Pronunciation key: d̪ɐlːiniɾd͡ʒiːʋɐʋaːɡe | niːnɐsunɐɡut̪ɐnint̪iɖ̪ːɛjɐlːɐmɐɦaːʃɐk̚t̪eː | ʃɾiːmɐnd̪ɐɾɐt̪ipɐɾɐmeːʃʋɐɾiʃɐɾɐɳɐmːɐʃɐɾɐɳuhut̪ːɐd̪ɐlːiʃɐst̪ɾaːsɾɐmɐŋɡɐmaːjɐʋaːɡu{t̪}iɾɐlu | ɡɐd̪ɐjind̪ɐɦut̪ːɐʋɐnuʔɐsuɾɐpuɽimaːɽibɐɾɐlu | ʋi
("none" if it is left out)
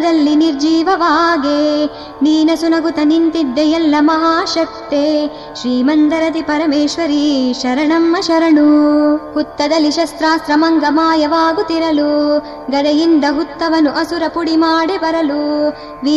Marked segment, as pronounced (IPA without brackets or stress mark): t̪